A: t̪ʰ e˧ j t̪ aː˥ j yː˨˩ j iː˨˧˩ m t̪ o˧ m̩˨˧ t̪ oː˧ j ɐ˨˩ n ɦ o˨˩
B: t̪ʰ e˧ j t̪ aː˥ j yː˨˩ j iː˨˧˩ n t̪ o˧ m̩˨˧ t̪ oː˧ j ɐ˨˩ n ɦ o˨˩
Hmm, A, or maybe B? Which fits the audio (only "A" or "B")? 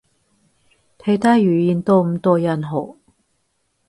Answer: B